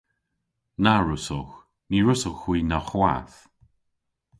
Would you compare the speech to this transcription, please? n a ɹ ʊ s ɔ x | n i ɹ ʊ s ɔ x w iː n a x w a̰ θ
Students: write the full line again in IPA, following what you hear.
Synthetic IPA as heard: n a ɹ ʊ s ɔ x | n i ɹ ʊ s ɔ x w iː n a x w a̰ θ